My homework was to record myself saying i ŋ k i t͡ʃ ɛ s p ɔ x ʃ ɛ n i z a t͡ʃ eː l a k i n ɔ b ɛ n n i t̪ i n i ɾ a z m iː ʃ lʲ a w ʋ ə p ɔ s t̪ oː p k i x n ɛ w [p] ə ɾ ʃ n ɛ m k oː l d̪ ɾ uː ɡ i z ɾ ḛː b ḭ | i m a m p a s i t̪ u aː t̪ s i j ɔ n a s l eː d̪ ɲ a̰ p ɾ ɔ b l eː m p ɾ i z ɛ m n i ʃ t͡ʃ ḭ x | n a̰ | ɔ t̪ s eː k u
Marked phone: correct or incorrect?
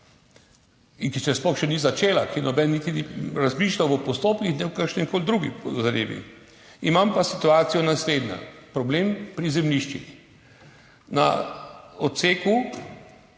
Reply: incorrect